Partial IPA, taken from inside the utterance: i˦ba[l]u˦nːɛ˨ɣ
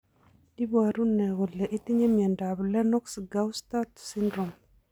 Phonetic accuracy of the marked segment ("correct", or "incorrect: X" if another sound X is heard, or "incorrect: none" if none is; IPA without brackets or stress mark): incorrect: ɾ